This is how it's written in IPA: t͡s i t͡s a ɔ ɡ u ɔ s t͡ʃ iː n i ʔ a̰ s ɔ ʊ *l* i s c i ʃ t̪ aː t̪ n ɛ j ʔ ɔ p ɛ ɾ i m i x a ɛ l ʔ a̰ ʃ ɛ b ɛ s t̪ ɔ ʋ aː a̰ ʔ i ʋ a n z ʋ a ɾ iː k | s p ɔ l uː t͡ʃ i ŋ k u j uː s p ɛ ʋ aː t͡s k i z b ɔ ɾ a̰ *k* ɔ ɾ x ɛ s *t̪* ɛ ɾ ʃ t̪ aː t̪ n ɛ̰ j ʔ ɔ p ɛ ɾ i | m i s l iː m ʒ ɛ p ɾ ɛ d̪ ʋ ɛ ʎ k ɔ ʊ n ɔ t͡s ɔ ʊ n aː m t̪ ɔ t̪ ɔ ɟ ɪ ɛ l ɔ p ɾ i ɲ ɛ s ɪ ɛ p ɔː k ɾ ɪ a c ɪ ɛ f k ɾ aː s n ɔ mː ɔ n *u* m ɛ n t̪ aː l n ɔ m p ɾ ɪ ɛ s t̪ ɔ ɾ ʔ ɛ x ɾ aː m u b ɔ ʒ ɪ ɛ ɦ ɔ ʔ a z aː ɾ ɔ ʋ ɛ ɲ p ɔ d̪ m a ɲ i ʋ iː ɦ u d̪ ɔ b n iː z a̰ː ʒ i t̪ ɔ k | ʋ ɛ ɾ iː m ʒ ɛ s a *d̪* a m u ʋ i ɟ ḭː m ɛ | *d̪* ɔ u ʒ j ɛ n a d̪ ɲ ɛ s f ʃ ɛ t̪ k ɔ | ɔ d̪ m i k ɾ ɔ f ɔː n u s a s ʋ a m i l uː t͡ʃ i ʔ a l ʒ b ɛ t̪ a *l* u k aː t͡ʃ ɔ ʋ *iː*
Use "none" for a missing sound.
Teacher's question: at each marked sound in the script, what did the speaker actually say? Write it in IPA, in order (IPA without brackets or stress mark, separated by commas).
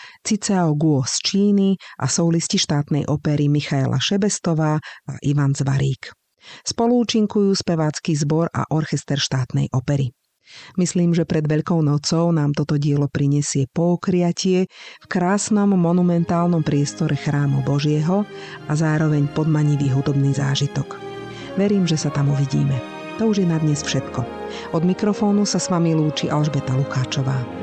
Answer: l, ʔ, t̪, u, t̪, t̪, l, aː